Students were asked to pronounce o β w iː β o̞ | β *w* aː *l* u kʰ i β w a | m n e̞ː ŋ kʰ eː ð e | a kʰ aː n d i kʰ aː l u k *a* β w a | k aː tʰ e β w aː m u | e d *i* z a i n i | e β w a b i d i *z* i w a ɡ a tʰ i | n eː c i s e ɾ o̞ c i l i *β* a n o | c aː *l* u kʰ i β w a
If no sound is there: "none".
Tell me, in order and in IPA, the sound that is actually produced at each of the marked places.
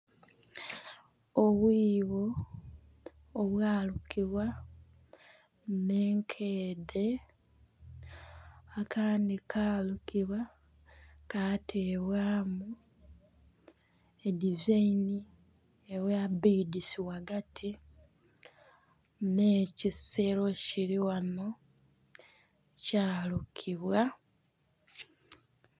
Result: w, l, i, i, s, w, l

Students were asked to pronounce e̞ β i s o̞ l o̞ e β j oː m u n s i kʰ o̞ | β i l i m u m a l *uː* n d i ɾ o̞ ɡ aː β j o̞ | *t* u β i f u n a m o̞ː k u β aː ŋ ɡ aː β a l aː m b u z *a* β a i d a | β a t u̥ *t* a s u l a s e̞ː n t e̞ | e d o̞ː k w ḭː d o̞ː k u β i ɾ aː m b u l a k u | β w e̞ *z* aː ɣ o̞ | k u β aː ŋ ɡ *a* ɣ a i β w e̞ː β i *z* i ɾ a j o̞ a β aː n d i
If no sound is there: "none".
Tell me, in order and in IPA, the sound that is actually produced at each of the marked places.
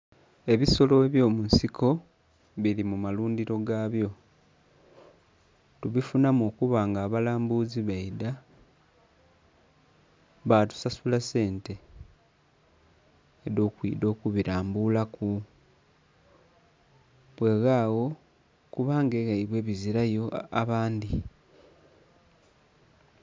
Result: uː, t, i, s, ɣ, e, z

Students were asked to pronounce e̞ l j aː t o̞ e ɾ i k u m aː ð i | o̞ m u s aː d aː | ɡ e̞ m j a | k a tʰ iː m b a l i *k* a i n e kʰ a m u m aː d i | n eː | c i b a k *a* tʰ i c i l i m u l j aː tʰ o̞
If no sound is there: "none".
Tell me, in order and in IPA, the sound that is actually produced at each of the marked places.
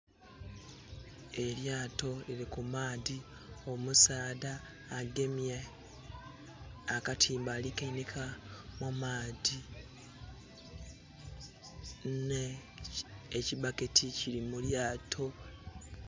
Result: k, e

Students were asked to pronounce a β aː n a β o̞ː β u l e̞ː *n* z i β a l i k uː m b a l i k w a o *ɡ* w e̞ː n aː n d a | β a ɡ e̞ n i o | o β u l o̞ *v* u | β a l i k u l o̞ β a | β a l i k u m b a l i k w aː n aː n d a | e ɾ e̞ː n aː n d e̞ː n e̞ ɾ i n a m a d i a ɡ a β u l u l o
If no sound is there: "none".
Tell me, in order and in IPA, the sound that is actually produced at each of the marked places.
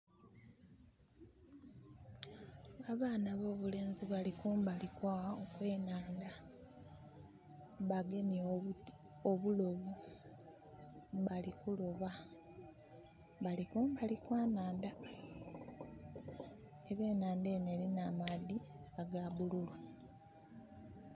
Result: n, k, β

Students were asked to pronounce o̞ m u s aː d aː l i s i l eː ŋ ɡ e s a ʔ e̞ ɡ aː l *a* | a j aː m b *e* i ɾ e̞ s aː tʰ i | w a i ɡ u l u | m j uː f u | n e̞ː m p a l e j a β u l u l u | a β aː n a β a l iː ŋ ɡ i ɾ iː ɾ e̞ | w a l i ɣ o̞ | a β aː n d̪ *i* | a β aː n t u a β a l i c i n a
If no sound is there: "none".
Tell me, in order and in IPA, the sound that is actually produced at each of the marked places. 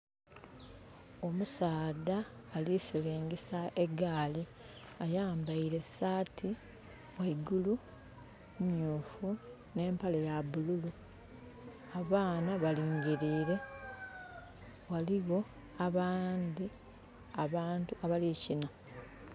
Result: i, a, i

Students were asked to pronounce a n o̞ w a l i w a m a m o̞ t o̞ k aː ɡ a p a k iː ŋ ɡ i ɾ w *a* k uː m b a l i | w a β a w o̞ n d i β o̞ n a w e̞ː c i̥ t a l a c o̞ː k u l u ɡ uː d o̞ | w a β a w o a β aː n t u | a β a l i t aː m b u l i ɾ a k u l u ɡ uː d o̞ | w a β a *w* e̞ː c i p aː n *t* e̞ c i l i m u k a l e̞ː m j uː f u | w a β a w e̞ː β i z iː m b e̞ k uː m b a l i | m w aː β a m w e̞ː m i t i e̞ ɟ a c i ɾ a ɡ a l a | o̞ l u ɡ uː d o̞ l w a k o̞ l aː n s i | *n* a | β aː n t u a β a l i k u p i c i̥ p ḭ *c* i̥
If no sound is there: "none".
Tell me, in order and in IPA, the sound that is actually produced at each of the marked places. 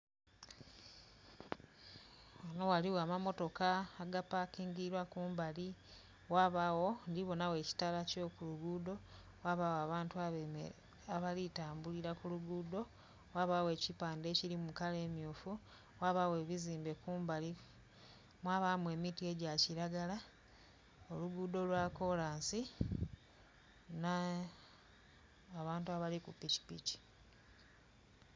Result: a, w, d, n, c

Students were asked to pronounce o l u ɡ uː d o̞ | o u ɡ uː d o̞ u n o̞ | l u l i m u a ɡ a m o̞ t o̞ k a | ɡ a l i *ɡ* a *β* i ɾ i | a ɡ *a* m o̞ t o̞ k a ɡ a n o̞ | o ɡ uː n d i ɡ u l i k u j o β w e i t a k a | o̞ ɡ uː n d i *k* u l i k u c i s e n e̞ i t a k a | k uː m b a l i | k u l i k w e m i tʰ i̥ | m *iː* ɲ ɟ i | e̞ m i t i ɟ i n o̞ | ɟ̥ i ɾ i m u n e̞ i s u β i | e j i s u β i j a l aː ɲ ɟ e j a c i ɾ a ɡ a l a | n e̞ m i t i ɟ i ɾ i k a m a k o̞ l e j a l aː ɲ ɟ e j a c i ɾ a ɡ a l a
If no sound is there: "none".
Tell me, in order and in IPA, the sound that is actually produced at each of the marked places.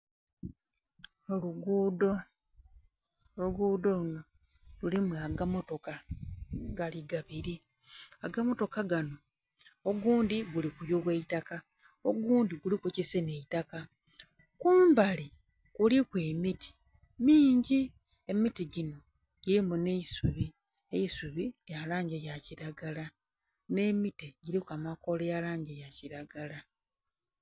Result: ɡ, β, a, ɡ, iː

